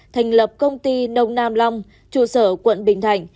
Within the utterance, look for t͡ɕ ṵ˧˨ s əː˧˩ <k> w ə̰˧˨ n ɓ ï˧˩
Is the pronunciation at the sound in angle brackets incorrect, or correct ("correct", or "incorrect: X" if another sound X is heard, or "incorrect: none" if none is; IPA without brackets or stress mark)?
correct